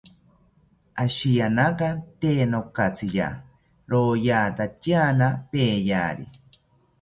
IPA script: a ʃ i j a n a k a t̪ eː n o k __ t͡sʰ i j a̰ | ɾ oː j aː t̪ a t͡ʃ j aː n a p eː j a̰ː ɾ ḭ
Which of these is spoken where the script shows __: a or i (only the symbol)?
a